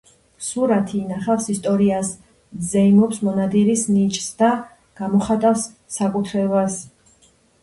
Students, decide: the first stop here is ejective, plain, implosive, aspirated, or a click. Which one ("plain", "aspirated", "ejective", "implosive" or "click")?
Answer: aspirated